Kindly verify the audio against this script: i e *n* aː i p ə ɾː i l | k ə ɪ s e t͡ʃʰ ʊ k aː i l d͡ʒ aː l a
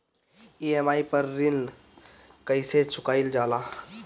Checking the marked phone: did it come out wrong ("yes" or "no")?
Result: yes